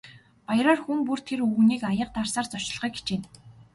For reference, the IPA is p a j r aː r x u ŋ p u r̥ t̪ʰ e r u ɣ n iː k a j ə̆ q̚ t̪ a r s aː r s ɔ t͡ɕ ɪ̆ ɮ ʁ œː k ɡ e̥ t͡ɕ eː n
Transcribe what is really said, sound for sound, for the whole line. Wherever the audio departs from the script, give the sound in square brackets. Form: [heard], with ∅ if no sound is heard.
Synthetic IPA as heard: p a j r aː r x u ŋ p u r̥ t̪ʰ e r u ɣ n iː k a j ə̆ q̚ t̪ a r s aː r [t͡s] ɔ t͡ɕ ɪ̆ ɮ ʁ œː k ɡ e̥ t͡ɕ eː n